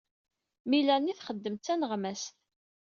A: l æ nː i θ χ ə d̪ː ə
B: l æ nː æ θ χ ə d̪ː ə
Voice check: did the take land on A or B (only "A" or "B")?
A